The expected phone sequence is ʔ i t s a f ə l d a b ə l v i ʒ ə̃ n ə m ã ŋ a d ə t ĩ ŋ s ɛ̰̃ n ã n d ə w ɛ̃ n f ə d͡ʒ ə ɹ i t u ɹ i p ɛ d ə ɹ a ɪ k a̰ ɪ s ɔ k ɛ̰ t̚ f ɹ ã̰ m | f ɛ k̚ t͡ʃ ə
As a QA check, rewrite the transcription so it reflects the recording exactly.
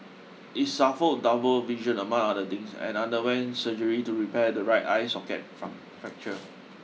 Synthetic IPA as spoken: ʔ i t s a f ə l d a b ə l v i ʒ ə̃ n ə m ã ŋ a d ə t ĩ ŋ s ɛ̰̃ n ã n d ə w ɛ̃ n s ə d͡ʒ ə ɹ i t u ɹ i p ɛ d ə ɹ a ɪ t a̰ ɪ s ɔ k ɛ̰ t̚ f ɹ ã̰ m | f ɛ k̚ t͡ʃ ə